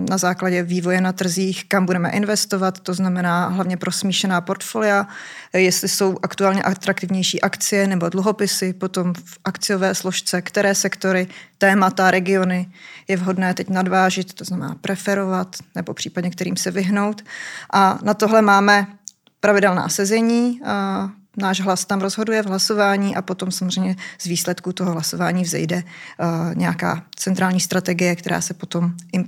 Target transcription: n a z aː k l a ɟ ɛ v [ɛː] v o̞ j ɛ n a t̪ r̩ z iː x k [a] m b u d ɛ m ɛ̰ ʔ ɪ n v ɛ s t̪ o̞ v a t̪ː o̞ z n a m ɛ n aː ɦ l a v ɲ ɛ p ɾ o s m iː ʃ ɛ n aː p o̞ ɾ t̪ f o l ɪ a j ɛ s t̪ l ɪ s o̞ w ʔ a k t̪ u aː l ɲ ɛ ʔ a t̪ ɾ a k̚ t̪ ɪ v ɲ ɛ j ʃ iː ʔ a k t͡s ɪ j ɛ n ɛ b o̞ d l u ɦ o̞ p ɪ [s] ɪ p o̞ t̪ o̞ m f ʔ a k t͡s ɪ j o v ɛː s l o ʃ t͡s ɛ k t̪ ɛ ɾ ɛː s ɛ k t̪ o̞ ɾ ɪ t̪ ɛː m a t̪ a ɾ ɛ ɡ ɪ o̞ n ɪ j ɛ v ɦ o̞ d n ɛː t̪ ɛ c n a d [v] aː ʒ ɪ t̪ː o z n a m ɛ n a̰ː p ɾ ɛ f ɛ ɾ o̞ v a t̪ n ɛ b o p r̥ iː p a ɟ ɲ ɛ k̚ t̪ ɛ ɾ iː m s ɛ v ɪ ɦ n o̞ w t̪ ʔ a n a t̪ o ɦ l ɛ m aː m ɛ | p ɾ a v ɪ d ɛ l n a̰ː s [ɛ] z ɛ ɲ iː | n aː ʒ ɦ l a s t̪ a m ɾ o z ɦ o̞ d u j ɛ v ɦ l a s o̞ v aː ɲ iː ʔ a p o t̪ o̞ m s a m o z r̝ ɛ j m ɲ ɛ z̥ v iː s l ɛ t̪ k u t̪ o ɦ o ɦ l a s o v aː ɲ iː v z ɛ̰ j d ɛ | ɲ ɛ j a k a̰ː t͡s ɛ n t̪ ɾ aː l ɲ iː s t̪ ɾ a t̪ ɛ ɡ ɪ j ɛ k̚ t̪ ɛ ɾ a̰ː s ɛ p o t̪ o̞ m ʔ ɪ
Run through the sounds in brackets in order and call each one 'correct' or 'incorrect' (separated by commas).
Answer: incorrect, correct, correct, correct, correct